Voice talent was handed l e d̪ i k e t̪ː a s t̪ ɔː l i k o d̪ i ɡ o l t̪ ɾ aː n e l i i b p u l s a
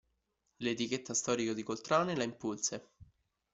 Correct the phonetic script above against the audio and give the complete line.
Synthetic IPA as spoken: l e t̪ i k e t̪ː a s t̪ ɔː ɾ i k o d̪ i k o l t̪ ɾ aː n e l a i m p u l s e